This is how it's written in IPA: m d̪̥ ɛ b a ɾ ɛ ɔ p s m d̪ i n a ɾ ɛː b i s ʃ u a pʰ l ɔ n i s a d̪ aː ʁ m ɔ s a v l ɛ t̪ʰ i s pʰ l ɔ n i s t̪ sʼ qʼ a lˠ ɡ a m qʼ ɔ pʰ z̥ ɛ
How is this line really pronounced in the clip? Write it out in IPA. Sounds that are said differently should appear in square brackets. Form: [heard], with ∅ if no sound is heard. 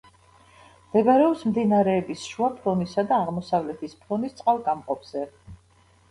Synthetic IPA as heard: m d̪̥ ɛ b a ɾ ɛ ɔ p s m d̪ i n a ɾ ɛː b i s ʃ u a pʰ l ɔ n i s a d̪ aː ʁ m ɔ s a v l ɛ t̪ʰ i s pʰ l ɔ n i s t̪ sʼ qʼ a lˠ ɡ a m qʼ ɔ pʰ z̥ ɛ